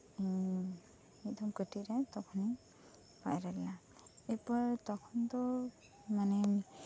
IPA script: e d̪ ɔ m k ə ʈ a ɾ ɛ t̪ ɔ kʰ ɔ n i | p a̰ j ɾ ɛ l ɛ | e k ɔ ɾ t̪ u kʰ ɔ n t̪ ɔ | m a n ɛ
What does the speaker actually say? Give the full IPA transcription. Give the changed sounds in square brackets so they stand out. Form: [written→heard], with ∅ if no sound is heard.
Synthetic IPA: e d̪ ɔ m k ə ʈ [a→i] ɾ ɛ t̪ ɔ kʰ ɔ n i | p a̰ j ɾ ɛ l [ɛ→a] | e [k→p] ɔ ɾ t̪ [u→ɔ] kʰ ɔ n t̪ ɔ | m a n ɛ

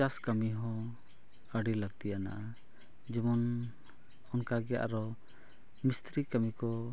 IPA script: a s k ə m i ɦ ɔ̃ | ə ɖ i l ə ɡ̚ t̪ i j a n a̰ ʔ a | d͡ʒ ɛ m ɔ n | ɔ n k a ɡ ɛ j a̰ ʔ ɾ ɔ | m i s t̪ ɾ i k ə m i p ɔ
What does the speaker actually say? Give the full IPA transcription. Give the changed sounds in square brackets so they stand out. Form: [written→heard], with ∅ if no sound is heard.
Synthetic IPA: a s k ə m i ɦ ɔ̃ | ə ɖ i l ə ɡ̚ t̪ i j a n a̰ ʔ a | d͡ʒ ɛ m ɔ n | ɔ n k a ɡ ɛ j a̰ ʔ ɾ ɔ | m i s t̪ ɾ i k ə m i [p→k] ɔ

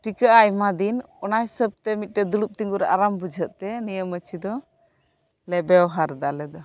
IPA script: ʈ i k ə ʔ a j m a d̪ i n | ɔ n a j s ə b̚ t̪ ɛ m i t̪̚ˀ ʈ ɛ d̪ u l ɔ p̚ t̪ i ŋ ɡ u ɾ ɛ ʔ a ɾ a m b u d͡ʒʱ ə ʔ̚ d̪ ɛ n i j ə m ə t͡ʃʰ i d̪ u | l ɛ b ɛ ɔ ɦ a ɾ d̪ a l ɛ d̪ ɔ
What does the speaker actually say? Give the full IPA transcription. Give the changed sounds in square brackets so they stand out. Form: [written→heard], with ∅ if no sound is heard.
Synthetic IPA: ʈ i k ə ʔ a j m a d̪ i n | ɔ n a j s ə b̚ t̪ ɛ m i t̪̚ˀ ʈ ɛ d̪ u l [ɔ→u] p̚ t̪ i ŋ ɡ u ɾ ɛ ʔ a ɾ a m b u d͡ʒʱ ə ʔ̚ [d̪→t̪] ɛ n i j ə m ə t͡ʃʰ i d̪ [u→ɔ] | l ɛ b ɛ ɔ ɦ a ɾ d̪ a l ɛ d̪ ɔ

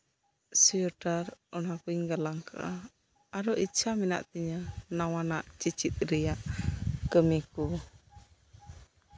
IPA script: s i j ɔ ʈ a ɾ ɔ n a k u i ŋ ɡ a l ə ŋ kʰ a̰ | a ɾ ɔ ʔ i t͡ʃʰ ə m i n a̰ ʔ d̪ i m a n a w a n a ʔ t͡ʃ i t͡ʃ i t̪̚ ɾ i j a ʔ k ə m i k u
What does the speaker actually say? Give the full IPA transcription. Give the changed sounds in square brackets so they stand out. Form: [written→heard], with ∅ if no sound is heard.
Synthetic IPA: s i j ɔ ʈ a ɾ ɔ n a k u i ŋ ɡ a l [ə→a] ŋ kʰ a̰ | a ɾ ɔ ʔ i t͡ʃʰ [ə→a] m i n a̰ ʔ [d̪→t̪] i [m→ɲ] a n a w a n a ʔ t͡ʃ i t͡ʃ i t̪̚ ɾ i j a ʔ k ə m i k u

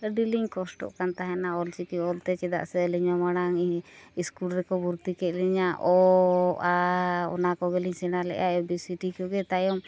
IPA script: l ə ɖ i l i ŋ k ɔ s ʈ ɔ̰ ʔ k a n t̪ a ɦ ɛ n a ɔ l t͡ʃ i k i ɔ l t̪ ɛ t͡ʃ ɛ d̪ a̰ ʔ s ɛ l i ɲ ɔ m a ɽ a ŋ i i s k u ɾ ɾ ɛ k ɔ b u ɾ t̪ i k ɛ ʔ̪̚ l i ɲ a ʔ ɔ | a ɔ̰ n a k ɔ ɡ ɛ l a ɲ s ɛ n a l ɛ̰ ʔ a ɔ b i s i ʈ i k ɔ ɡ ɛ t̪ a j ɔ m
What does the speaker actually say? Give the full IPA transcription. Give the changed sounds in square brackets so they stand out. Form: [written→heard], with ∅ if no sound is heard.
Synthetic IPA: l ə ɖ i l i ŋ k ɔ s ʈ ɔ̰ ʔ k a n t̪ a ɦ ɛ n a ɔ l t͡ʃ i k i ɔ l t̪ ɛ t͡ʃ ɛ d̪ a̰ ʔ s ɛ l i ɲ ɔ m a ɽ a ŋ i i s k u [ɾ→l] ɾ ɛ k ɔ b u ɾ t̪ i k ɛ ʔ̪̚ l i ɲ a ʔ ɔ | a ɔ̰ n a k ɔ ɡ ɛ l [a→i] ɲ s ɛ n a l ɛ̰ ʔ a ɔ b i s i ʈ i k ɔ ɡ ɛ t̪ a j ɔ m

